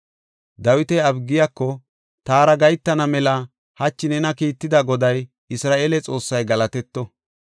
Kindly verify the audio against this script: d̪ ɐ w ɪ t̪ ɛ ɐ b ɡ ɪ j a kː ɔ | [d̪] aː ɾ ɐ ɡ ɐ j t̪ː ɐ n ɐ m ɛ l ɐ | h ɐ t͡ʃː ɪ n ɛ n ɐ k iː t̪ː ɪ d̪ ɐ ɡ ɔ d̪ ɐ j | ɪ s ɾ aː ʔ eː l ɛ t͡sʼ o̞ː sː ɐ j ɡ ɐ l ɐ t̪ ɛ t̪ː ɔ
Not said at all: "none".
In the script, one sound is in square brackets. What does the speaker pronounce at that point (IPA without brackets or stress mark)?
t̪